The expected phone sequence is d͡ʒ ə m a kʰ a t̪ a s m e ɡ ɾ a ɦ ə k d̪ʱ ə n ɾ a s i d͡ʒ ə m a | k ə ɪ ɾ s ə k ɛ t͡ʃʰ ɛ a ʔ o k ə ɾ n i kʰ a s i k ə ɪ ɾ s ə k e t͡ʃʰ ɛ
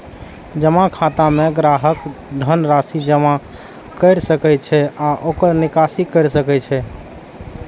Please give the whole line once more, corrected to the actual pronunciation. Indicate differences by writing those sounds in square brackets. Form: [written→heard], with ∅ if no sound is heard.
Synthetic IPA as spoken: d͡ʒ ə m a kʰ a t̪ a [s→∅] m e ɡ ɾ a ɦ ə k d̪ʱ ə n ɾ a s i d͡ʒ ə m a | k ə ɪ ɾ s ə k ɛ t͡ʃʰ ɛ a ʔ o k ə ɾ n i [kʰ→k] a s i k ə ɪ ɾ s ə k [e→ɛ] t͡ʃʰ ɛ